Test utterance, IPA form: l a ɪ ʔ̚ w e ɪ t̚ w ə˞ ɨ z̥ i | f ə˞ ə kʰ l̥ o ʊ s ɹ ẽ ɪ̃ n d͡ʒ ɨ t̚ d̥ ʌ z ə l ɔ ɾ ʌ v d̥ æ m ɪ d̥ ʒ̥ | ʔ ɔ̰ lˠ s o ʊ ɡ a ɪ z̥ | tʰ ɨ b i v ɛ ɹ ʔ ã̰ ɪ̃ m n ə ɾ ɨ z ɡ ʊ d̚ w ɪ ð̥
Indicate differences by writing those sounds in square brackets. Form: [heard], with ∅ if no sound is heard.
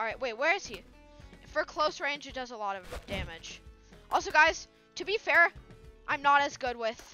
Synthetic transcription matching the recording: [ɹ] a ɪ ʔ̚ w e ɪ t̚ w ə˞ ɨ z̥ i | f ə˞ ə kʰ l̥ o ʊ s ɹ ẽ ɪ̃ n d͡ʒ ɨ t̚ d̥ ʌ z ə l ɔ ɾ ʌ v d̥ æ m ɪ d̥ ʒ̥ | ʔ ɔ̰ lˠ s o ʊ ɡ a ɪ z̥ | tʰ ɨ b i [f] ɛ ɹ ʔ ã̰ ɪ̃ m n ə ɾ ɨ z ɡ ʊ d̚ w ɪ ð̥